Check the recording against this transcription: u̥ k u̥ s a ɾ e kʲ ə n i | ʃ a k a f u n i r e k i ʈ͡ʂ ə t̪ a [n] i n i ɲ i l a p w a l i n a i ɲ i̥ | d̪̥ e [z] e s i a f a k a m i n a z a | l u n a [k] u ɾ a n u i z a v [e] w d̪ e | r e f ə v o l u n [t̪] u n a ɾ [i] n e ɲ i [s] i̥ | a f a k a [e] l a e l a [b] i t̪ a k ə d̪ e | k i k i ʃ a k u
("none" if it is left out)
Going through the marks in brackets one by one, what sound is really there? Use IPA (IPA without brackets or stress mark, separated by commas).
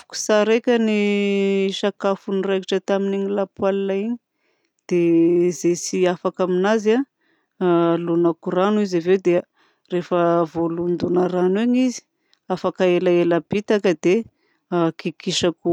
m, z, k, e, d̪, a, z, e, b